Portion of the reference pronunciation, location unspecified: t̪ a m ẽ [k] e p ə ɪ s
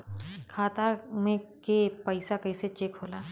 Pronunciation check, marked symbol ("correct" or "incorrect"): correct